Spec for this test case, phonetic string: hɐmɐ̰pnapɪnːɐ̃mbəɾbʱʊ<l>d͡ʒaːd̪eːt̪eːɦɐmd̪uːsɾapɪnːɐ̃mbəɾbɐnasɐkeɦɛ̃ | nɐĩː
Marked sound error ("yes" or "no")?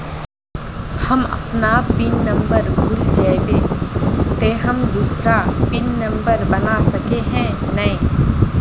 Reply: no